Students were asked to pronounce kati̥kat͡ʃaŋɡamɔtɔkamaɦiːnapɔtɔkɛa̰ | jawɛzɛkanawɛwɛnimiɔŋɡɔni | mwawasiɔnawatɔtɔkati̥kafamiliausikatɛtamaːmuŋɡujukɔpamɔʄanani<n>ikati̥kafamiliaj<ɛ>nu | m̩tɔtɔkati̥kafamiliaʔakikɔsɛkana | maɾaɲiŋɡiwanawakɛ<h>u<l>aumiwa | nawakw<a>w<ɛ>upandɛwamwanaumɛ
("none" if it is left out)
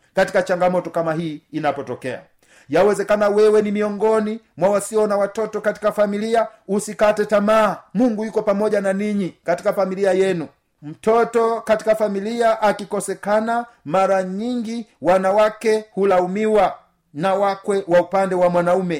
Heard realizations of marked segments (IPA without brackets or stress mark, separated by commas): ɲ, ɛ, h, l, ɛ, a